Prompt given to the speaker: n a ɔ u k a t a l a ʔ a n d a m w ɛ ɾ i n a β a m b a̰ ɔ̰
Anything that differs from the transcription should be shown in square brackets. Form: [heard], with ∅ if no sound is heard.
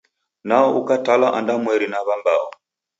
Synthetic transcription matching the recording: n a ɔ u k a t a l a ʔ a n d a m w ɛ ɾ i n a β a m b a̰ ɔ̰